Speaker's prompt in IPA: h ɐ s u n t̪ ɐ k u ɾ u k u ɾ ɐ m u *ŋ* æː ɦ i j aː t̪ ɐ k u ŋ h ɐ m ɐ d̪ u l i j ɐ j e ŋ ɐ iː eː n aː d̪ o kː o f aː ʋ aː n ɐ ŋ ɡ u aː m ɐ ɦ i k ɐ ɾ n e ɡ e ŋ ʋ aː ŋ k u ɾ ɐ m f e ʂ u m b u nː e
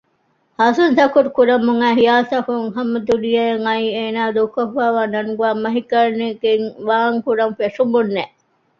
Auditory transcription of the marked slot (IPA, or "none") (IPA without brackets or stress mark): ŋ